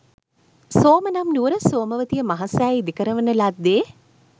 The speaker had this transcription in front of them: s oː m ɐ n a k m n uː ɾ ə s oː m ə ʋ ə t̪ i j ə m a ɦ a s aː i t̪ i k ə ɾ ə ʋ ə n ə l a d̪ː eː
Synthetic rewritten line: s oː m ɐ n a m n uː ɾ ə s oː m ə ʋ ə t̪ i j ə m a ɦ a s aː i d̪ i k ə ɾ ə ʋ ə n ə l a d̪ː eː

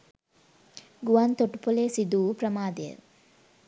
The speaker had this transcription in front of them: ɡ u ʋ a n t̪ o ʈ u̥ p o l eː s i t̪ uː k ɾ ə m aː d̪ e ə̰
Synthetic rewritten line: ɡ u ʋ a n t̪ o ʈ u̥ p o l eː s i d̪ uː p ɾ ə m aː d̪ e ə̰

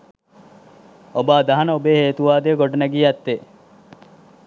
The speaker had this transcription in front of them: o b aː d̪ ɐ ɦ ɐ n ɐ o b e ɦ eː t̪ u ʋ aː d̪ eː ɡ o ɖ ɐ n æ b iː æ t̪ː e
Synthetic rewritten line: o b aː d̪ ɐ ɦ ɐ n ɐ o b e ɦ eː t̪ u ʋ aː d̪ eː ɡ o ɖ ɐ n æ ɡ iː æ t̪ː e

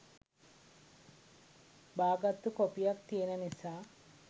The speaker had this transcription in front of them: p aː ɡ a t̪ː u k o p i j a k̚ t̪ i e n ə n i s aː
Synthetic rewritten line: b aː ɡ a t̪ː u k o p i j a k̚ t̪ i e n ə n i s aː

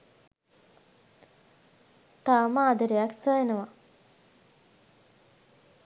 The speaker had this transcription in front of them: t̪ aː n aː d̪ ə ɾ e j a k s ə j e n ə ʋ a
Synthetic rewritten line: t̪ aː m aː d̪ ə ɾ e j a k s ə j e n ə ʋ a

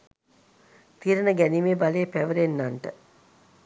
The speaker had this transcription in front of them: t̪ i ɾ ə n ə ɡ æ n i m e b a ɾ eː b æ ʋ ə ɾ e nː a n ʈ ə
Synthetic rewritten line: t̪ i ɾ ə n ə ɡ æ n i m e b a l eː p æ ʋ ə ɾ e nː a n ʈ ə

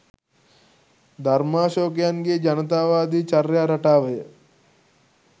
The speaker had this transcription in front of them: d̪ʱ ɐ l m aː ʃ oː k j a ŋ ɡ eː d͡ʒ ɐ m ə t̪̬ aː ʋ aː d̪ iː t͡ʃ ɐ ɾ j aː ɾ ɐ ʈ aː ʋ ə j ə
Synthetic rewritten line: d̪ʱ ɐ ɾ m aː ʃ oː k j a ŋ ɡ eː d͡ʒ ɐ n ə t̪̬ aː ʋ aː d̪ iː t͡ʃ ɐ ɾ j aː ɾ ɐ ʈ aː ʋ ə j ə

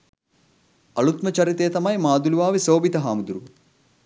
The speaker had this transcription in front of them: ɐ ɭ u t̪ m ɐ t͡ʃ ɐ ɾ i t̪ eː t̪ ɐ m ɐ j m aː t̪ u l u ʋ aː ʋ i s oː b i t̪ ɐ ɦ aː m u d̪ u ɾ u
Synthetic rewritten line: ɐ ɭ u t̪ m ɐ t͡ʃ ɐ ɾ i t̪ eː t̪ ɐ m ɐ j m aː d̪ u l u ʋ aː ʋ i s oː b i t̪ ɐ ɦ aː m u d̪ u ɾ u

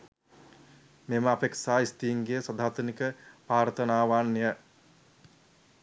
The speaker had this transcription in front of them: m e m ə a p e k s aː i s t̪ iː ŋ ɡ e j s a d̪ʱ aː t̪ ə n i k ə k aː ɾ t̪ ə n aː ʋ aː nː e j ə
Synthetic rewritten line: m e m ə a p e k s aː i s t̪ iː ŋ ɡ e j s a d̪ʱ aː t̪ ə n i k ə p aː ɾ t̪ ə n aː ʋ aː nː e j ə

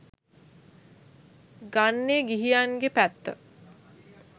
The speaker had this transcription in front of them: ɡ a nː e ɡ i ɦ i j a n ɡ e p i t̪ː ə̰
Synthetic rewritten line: ɡ a nː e ɡ i ɦ i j a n ɡ e p æ t̪ː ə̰

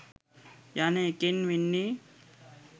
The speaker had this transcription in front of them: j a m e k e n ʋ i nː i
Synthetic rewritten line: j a n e k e n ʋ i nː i

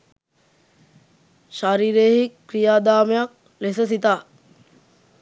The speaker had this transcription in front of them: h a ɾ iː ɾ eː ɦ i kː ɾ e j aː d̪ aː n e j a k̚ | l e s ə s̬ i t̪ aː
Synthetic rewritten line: ʃ a ɾ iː ɾ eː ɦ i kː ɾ i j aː d̪ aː m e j a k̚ | l e s ə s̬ i t̪ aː

